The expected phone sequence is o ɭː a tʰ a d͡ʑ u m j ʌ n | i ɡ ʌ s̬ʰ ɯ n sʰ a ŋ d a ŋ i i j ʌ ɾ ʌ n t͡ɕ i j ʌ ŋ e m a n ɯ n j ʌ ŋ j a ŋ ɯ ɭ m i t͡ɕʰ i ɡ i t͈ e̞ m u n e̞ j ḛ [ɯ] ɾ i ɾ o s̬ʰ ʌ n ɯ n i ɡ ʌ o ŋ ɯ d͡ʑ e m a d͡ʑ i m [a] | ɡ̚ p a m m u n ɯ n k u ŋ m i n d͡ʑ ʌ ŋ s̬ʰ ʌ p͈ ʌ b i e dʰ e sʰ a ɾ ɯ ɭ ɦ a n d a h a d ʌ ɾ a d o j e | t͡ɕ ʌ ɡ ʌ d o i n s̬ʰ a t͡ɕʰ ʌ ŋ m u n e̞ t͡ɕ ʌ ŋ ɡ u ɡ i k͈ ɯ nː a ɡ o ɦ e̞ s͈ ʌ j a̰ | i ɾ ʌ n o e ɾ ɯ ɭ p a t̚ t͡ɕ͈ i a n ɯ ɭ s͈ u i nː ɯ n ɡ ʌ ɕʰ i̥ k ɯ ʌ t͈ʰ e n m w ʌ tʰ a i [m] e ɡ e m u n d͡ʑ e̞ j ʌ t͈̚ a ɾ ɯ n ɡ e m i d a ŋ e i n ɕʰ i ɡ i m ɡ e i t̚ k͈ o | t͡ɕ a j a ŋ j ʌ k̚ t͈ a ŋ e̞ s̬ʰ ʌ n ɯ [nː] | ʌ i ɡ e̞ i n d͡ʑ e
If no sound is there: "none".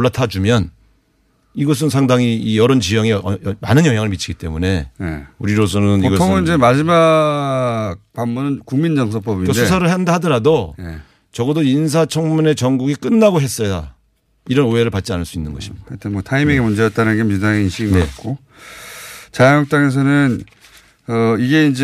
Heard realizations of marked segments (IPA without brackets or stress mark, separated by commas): u, a, m, n